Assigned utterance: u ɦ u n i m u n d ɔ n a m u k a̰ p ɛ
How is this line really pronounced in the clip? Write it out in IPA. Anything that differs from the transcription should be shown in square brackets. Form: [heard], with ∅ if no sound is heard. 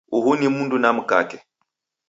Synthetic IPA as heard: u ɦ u n i m u n d [u] n a m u k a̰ [k] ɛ

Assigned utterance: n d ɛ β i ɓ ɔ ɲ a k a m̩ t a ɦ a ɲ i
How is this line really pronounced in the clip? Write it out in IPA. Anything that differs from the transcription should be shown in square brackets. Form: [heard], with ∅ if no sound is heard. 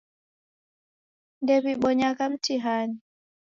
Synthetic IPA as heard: n d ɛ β i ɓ ɔ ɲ a k a m̩ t [i] ɦ a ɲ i

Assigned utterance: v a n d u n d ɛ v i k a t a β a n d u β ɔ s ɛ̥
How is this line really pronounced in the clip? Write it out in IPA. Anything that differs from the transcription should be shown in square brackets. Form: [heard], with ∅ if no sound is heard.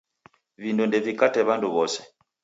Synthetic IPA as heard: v [i] n d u n d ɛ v i k a t [ɛ] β a n d u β ɔ s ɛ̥

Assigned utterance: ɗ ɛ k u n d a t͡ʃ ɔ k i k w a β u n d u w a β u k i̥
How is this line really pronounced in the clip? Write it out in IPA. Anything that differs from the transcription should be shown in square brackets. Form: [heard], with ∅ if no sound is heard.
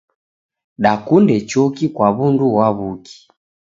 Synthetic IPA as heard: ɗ [a] k u n d [ɛ] t͡ʃ ɔ k i k w a β u n d u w a β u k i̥

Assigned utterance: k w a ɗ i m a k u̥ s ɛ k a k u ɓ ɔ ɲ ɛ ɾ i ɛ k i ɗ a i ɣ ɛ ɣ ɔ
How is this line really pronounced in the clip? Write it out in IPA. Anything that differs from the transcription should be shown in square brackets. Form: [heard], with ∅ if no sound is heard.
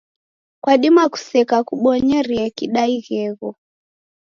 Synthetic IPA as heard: k w a ɗ i m a k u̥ s ɛ k a k u ɓ ɔ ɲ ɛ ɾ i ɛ k i ɗ a i ɣ ɛ ɣ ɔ

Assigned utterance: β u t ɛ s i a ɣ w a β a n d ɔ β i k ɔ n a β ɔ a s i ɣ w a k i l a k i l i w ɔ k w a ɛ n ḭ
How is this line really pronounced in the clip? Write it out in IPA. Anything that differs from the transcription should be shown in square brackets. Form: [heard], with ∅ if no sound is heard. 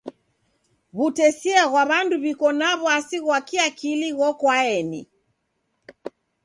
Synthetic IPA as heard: β u t ɛ s i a ɣ w a β a n d [u] β i k ɔ n a β ɔ a s i ɣ w a k i [∅] a k i l i [ɣ] ɔ k w a ɛ n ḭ

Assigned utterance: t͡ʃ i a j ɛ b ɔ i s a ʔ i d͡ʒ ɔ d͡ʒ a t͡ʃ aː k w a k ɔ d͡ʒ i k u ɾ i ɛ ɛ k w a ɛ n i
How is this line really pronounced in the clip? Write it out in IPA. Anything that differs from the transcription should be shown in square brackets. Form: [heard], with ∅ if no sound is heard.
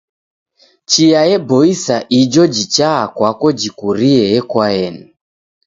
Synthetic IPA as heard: t͡ʃ i a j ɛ b ɔ i s a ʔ i d͡ʒ ɔ d͡ʒ [i] t͡ʃ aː k w a k ɔ d͡ʒ i k u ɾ i ɛ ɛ k w a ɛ n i

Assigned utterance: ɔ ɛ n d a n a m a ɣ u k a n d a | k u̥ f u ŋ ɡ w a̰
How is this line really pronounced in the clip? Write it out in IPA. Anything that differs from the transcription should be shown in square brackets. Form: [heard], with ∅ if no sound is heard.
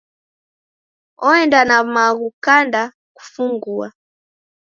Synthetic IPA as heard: ɔ ɛ n d a n a m a ɣ u k a n d a | k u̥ f u ŋ ɡ [u] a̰

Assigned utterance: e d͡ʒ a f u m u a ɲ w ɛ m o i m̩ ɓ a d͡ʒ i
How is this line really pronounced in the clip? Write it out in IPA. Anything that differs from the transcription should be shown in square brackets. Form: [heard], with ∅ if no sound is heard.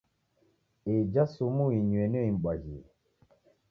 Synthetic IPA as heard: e d͡ʒ a [s] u m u [i] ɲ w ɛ [n] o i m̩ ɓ a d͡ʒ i

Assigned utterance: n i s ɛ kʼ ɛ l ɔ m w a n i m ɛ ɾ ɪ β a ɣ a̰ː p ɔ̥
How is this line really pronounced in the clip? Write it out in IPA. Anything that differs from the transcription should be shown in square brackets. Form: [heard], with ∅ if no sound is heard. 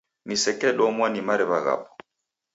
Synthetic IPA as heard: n i s ɛ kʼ ɛ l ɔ m w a n i m [a] ɾ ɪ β a ɣ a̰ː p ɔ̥

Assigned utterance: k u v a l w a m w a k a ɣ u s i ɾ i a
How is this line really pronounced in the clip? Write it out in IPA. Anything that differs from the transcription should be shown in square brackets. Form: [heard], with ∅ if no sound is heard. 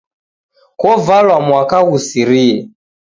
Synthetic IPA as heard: k [ɔ] v a l w a m w a k a ɣ u s i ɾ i [ɛ]

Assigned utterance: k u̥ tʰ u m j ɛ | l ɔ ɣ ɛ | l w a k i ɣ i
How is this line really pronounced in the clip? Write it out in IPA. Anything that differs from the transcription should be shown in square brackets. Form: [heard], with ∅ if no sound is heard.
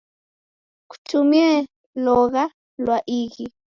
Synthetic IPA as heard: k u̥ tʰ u m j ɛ | l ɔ ɣ [a] | l w a [ʔ] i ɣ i

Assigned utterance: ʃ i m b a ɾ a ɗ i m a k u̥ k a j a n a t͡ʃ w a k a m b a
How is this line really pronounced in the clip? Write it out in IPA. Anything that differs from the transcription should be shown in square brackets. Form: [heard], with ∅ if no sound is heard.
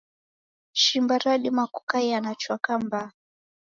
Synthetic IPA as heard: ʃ i m b a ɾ a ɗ i m a k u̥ k a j a n a t͡ʃ w a k a m b a

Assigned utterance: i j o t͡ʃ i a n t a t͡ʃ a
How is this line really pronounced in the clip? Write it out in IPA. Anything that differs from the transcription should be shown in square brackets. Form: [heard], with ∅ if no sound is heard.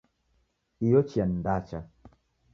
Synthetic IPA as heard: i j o t͡ʃ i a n [d] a t͡ʃ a

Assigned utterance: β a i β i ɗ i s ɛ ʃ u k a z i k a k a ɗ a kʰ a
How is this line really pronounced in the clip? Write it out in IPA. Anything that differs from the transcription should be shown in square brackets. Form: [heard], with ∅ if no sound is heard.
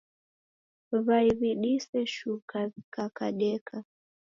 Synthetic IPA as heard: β a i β i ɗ i s ɛ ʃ u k a z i k a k a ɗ [ɛ] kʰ a

